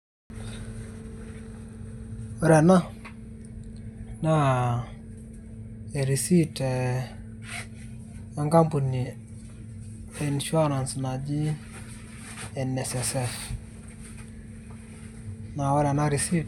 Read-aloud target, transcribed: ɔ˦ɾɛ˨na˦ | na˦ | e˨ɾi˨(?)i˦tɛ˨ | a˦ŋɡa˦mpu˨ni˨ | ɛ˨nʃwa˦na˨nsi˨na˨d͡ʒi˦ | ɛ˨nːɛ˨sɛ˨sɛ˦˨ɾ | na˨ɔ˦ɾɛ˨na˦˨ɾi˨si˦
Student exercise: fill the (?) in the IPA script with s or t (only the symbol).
s